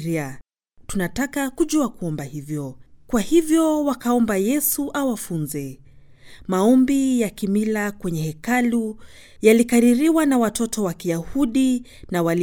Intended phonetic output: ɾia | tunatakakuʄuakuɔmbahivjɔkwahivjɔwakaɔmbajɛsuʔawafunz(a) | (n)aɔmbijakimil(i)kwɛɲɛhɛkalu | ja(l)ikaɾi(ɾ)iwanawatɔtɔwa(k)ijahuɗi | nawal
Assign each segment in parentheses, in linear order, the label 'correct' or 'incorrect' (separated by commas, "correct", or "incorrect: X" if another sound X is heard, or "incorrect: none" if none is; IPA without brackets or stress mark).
incorrect: ɛ, incorrect: m, incorrect: a, correct, correct, correct